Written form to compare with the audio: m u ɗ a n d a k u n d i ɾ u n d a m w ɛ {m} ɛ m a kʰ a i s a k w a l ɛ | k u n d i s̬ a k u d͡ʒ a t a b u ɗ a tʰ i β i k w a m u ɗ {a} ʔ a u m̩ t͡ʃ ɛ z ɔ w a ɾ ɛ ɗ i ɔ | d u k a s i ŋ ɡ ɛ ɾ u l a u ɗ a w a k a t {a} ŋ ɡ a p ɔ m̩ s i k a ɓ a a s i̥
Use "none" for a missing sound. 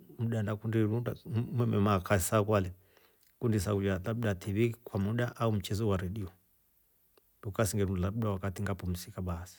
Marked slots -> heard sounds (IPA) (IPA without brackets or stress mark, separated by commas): m, a, i